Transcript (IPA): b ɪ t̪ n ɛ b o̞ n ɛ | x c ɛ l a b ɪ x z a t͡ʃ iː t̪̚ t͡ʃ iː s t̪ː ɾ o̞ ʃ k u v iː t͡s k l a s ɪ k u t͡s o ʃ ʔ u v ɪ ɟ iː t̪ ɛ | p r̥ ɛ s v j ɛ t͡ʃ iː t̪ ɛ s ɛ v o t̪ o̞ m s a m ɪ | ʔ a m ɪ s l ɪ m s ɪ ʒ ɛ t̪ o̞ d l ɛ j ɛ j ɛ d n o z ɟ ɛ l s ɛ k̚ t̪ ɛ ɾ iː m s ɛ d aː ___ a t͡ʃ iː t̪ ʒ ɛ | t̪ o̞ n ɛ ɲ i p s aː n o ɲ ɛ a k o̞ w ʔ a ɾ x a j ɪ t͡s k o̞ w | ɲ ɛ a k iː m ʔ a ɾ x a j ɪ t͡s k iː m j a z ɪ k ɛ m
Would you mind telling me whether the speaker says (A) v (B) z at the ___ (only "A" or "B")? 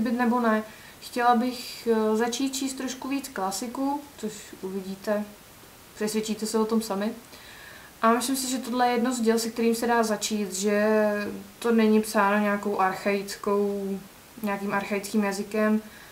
B